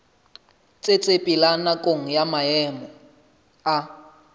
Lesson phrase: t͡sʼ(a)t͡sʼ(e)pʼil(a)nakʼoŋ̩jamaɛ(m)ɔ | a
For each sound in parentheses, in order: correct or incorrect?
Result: incorrect, correct, correct, correct

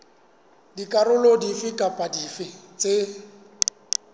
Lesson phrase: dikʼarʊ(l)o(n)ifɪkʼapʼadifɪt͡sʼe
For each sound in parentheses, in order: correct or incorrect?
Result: correct, incorrect

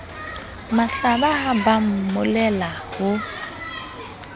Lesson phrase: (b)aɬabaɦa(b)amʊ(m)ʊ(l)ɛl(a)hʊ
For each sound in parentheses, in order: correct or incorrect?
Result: incorrect, correct, correct, correct, correct

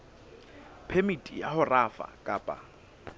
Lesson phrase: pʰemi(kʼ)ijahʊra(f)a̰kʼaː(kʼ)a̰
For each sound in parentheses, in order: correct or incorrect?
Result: incorrect, correct, incorrect

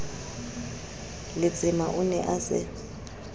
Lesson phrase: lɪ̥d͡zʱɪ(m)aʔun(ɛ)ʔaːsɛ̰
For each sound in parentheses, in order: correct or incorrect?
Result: correct, correct

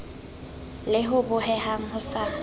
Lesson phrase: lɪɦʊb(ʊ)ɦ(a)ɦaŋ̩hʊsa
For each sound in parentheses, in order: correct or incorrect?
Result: correct, incorrect

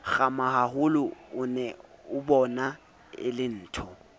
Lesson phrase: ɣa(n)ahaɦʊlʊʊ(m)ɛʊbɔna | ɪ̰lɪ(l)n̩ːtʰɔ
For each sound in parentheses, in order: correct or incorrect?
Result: incorrect, incorrect, incorrect

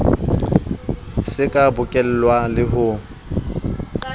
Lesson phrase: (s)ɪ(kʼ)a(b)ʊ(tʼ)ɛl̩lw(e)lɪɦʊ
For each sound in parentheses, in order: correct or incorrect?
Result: correct, correct, correct, incorrect, incorrect

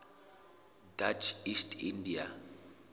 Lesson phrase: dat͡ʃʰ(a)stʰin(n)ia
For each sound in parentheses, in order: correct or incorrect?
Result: incorrect, incorrect

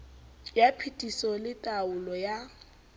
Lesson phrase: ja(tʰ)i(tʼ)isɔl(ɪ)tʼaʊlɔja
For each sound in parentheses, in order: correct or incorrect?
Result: incorrect, correct, correct

